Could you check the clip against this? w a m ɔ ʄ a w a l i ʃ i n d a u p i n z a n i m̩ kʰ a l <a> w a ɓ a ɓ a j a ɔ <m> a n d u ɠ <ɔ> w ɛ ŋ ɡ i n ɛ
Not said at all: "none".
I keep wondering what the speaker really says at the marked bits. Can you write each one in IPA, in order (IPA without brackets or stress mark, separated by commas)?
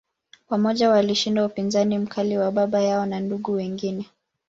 i, n, u